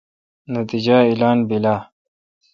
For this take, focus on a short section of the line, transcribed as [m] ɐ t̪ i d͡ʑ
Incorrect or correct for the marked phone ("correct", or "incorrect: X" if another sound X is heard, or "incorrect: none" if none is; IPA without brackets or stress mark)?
incorrect: n